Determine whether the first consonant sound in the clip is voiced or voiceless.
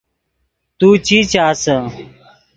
voiceless